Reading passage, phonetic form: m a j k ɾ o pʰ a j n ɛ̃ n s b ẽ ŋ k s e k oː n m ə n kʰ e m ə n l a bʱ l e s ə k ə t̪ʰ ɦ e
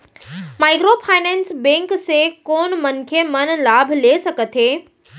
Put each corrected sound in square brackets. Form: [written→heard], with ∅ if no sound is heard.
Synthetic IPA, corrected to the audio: m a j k ɾ o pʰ a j n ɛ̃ n s b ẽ ŋ k s e k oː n m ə n kʰ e m ə n l a bʱ l e s ə k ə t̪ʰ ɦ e